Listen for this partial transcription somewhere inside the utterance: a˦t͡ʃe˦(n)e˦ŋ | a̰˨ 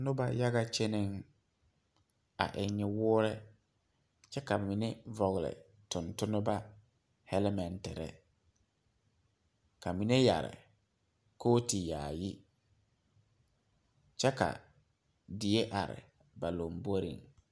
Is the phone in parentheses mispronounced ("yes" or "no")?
no